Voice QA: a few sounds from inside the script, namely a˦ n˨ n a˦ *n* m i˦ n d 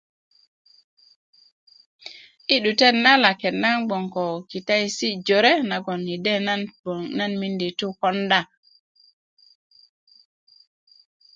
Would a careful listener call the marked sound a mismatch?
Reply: no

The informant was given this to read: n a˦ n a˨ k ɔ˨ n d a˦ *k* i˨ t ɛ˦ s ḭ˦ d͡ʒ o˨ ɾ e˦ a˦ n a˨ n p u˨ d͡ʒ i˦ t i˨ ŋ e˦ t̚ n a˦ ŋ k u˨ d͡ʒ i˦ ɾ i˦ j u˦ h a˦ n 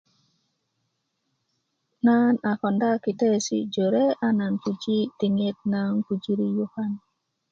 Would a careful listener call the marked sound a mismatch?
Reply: no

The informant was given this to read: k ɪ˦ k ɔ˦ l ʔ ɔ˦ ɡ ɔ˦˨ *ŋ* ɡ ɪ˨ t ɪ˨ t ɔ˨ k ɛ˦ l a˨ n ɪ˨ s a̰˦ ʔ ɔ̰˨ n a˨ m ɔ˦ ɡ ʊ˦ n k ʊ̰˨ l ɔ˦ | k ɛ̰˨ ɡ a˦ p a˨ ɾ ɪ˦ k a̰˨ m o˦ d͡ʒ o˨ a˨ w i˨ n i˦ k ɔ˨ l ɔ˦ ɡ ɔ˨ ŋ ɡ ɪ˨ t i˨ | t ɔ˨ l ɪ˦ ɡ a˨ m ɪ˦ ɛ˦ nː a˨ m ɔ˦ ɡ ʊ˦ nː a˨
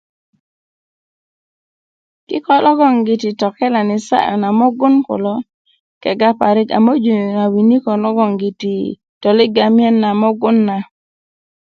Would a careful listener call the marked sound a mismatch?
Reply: no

